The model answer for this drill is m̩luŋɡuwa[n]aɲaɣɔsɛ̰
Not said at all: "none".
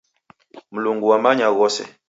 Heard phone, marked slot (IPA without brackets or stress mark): m